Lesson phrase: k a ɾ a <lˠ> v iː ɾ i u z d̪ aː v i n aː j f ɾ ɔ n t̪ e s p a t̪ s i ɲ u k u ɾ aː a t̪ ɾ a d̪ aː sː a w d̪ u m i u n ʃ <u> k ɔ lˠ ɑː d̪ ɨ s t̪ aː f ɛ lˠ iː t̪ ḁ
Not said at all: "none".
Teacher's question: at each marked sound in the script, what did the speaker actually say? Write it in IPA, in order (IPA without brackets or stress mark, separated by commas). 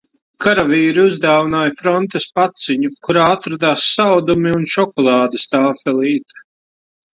none, ɔ